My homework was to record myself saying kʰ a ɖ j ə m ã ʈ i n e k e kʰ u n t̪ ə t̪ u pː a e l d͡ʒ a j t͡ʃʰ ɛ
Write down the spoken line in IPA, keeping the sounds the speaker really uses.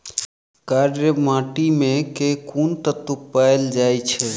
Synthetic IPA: k a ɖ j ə m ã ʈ i m e k e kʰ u n t̪ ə t̪ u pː a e l d͡ʒ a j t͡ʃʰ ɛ